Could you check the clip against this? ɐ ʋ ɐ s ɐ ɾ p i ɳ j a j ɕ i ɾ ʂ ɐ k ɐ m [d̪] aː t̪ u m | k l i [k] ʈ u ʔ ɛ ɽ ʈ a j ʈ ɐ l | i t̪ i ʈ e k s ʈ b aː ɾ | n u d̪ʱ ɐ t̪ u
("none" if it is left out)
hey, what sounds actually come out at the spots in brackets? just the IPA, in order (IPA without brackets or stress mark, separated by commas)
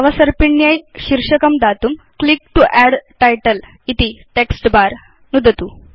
d̪, k